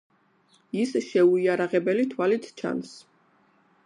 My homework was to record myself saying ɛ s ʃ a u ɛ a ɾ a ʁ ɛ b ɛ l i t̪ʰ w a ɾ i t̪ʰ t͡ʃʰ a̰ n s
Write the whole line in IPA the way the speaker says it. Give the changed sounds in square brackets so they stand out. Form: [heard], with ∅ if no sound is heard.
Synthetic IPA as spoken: [i] s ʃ [ɛ] u [i] a ɾ a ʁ ɛ b ɛ l i t̪ʰ w a [l] i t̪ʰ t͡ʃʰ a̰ n s